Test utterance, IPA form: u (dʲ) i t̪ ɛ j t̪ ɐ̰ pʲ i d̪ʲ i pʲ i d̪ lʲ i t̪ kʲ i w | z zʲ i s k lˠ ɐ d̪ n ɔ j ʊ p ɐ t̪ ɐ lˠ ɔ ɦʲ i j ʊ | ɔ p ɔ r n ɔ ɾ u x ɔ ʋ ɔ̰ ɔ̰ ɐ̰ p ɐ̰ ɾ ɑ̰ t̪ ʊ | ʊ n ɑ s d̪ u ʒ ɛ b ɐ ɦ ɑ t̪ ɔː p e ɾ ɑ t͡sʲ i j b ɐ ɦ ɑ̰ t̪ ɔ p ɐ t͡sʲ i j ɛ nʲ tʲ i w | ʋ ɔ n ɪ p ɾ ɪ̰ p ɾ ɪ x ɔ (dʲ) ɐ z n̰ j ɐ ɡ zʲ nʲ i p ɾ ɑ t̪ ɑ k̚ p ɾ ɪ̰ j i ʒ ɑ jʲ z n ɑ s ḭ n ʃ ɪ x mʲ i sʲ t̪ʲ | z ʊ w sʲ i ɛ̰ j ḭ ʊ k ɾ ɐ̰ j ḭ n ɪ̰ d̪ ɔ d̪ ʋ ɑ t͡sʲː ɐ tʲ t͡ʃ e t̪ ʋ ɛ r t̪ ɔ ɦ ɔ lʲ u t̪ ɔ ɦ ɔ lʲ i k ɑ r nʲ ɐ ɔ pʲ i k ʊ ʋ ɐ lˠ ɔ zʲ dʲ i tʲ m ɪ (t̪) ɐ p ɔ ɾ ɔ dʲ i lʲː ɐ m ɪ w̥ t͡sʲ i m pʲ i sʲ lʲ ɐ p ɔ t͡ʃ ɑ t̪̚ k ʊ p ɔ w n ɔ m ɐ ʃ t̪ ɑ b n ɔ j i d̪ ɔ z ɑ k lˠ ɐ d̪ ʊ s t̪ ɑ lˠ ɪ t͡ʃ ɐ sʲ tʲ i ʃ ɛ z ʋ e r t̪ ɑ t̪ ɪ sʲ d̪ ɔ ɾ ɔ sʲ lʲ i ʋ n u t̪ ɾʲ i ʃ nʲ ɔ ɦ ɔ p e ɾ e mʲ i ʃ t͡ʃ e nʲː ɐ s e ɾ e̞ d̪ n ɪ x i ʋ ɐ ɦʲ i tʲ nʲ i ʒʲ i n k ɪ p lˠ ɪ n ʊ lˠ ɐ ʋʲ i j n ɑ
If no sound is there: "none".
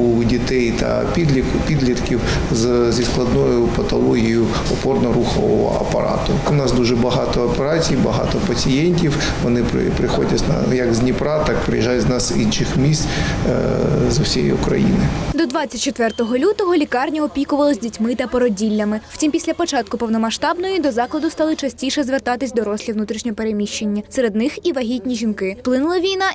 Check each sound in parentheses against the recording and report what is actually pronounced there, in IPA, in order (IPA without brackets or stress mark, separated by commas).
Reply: dʲ, dʲ, t̪